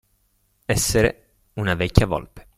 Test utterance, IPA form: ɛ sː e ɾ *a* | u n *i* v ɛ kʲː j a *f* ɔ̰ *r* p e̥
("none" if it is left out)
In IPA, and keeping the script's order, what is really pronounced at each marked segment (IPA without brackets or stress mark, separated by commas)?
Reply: e, a, v, l